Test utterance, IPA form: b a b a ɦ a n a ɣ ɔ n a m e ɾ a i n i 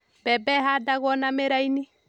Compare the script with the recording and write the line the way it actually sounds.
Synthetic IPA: b ɛ b ɛ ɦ a d a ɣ ɔ n a m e ɾ a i n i